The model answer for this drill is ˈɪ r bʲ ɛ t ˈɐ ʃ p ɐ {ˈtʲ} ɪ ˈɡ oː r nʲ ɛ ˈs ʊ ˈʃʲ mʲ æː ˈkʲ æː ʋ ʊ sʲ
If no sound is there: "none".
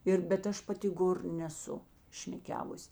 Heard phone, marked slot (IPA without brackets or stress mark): tʲ